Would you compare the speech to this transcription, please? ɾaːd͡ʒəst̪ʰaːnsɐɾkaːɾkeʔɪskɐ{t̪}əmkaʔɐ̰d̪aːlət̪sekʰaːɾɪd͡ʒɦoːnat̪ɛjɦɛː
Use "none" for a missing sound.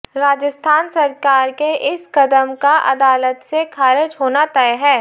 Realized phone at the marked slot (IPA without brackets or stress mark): d̪